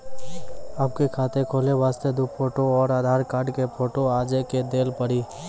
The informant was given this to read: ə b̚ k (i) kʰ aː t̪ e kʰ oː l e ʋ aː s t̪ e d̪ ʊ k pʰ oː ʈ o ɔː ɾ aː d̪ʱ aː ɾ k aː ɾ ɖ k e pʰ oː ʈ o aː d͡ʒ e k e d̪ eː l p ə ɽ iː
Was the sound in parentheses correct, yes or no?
no